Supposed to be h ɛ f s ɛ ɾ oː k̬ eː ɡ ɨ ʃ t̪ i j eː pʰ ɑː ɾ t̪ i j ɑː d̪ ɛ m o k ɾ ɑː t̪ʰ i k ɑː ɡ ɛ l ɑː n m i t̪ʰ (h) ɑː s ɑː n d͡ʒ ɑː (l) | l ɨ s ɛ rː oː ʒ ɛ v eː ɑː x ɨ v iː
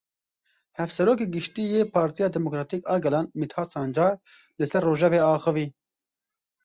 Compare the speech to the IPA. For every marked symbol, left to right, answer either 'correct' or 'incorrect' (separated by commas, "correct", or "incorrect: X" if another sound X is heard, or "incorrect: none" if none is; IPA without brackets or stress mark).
correct, incorrect: ɾ